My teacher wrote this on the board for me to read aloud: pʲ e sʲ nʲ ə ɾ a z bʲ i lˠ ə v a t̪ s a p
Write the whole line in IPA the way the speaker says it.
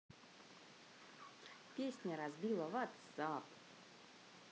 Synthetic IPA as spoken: pʲ e sʲ nʲ ə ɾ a z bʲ i lˠ ə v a t̪ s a p